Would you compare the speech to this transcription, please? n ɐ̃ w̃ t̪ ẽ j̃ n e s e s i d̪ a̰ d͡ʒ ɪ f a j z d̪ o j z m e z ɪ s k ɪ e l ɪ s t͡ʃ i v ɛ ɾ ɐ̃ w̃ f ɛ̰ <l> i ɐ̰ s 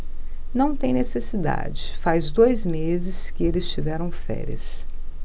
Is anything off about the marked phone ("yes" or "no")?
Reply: yes